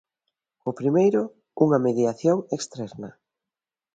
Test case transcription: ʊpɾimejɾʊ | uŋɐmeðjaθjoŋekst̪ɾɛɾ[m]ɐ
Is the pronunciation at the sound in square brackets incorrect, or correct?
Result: incorrect